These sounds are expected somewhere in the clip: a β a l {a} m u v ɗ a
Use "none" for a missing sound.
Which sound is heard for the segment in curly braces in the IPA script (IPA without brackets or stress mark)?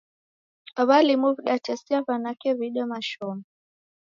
i